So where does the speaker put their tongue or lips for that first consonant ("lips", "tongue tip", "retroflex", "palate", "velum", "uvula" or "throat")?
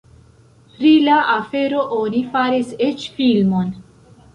lips